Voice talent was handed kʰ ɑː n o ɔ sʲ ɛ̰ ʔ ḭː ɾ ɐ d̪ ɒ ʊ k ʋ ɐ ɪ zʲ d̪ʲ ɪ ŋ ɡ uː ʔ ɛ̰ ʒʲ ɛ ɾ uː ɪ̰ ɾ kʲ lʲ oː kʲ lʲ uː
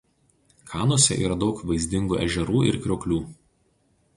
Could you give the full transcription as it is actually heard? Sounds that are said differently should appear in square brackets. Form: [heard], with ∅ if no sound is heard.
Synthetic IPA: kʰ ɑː n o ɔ sʲ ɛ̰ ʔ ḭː ɾ ɐ d̪ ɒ ʊ k ʋ ɐ ɪ zʲ d̪ʲ ɪ ŋ ɡ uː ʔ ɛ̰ ʒʲ ɛ ɾ uː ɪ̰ ɾ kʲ [ɾʲ] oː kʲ lʲ uː